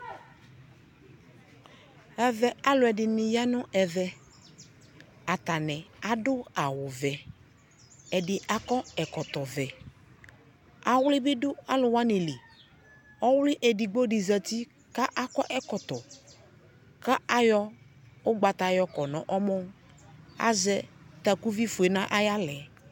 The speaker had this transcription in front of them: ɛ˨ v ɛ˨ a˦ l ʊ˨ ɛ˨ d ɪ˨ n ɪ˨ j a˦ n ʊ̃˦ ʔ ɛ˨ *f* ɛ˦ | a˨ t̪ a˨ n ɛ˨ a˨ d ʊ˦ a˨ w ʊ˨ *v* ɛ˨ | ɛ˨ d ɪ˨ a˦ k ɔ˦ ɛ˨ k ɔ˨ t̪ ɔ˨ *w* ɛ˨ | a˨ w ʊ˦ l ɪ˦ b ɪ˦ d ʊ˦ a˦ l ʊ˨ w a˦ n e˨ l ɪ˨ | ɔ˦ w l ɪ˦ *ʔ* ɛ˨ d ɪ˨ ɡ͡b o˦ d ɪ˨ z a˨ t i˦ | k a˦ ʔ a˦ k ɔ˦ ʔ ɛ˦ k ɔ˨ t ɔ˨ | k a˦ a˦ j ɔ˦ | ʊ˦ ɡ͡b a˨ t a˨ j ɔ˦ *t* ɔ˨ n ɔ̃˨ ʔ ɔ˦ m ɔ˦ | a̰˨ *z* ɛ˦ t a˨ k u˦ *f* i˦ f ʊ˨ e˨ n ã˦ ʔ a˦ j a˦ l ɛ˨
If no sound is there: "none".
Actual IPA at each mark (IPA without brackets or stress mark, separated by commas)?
v, v, v, ʔ, k, z, v